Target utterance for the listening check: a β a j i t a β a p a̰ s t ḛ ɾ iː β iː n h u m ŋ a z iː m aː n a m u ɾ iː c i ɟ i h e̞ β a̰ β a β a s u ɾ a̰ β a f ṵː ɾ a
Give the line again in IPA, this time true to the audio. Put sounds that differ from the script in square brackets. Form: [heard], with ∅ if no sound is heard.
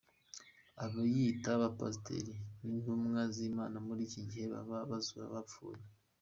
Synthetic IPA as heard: a β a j i t a β a p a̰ s t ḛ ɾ [i] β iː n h u m ŋ a z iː m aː n a m u ɾ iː c i ɟ i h e̞ β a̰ β a β a [z] u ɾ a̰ β a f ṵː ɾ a